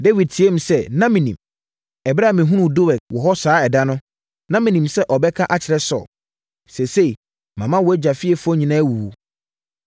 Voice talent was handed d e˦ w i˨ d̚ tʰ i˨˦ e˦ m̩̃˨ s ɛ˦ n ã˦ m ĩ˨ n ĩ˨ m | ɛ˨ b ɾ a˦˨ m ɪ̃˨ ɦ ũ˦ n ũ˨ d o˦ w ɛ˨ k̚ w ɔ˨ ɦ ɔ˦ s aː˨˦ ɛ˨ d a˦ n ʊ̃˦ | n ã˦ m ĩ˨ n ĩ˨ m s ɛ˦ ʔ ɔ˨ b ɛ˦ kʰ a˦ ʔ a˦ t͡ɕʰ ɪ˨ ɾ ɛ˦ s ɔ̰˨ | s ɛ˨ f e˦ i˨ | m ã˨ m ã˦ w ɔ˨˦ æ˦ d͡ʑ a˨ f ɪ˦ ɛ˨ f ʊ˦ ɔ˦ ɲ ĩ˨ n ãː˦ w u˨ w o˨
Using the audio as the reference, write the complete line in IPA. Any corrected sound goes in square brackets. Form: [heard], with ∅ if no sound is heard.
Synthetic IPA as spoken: d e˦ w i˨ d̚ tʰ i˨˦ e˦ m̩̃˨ s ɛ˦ n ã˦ m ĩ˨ n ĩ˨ m | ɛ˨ b ɾ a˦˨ m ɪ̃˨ ɦ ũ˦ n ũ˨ d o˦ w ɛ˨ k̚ w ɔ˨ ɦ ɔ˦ s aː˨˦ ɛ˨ d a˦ n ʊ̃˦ | n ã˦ m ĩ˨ n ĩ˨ m s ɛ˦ ʔ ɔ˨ b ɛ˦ kʰ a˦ ʔ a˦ t͡ɕʰ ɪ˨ ɾ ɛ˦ s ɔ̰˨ | s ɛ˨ [s] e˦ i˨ | m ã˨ m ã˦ w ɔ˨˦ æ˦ d͡ʑ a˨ f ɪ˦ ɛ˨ f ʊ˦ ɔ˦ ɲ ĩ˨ n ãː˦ w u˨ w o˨